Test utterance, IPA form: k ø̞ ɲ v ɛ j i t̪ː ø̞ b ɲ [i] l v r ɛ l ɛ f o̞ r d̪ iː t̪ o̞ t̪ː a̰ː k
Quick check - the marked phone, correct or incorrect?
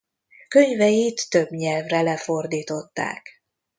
incorrect